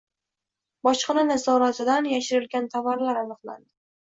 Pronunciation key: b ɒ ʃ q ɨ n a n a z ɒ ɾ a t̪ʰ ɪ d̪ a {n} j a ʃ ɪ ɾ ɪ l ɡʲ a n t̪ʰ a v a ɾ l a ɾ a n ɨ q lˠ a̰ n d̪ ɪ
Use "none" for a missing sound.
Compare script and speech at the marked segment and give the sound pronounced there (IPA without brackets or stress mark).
n